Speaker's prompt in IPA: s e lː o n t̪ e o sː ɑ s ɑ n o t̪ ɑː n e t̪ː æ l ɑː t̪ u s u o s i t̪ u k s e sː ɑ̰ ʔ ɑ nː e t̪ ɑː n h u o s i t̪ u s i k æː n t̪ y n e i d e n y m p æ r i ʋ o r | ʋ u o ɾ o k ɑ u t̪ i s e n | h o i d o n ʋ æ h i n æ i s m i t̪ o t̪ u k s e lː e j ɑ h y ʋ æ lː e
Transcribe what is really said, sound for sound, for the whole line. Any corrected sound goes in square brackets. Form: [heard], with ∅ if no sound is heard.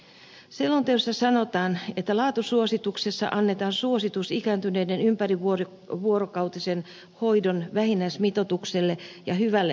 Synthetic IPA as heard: s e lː o n t̪ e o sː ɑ s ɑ n o t̪ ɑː n e t̪ː æ l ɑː t̪ u s u o s i t̪ u k s e sː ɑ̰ ʔ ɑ nː e t̪ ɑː n [s] u o s i t̪ u s i k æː n t̪ y n e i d e n y m p æ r i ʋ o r | ʋ u o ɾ o k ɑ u t̪ i s e n | h o i d o n ʋ æ h i n æ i s m i t̪ o t̪ u k s e lː e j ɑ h y ʋ æ lː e